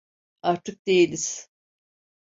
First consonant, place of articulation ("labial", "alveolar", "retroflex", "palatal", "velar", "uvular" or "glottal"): alveolar